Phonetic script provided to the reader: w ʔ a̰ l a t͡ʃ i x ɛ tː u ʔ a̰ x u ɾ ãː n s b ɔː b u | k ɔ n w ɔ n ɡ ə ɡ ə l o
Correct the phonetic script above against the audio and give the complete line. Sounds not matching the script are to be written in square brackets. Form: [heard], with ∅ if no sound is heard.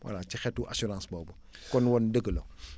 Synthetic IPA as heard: w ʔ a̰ l a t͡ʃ i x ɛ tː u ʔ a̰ [s] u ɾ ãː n s b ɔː b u | k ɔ n w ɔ n [d] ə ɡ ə l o